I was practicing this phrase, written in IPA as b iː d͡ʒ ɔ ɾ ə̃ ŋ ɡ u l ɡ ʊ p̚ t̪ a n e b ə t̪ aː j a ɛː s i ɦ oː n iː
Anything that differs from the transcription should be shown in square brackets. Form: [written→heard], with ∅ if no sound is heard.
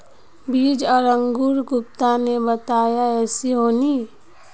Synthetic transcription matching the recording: b iː d͡ʒ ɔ ɾ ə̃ ŋ ɡ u [l→ɾ] ɡ ʊ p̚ t̪ a n e b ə t̪ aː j a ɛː s i ɦ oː n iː